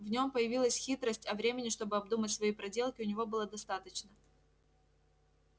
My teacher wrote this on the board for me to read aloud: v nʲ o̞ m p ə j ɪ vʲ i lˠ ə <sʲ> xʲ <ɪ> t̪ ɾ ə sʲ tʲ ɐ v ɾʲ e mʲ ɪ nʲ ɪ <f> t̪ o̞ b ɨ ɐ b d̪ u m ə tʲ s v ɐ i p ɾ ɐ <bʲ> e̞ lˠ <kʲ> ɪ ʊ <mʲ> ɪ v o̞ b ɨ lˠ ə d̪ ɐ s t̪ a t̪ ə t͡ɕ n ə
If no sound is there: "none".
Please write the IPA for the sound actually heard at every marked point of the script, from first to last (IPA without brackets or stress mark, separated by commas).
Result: sʲ, i, ʂ, dʲ, kʲ, nʲ